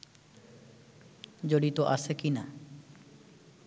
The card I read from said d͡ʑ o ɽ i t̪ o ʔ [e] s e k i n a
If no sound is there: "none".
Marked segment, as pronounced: a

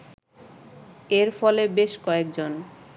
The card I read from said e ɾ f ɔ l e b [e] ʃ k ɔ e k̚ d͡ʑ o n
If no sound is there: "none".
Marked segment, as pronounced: e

